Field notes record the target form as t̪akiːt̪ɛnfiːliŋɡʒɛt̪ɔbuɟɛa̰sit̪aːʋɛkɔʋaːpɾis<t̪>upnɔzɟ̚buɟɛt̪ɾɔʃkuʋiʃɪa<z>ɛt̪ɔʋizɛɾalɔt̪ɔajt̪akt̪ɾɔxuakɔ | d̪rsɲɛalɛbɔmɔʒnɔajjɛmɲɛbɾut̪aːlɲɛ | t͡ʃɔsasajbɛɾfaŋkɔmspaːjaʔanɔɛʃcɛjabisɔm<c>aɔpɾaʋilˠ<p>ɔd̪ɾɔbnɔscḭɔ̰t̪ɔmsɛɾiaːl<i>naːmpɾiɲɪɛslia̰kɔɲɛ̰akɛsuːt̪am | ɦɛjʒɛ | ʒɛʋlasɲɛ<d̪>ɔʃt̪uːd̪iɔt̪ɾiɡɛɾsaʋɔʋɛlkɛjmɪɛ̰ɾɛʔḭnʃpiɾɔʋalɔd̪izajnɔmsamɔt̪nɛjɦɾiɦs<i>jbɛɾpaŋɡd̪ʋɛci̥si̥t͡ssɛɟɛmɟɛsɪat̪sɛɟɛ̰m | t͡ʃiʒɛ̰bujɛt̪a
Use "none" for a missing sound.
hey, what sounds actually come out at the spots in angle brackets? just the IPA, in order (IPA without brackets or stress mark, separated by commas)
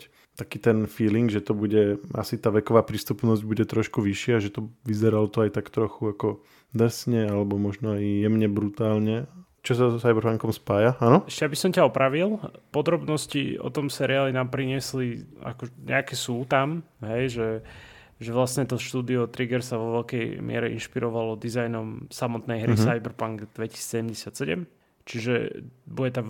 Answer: t̪, ʒ, c, p, i, t̪, a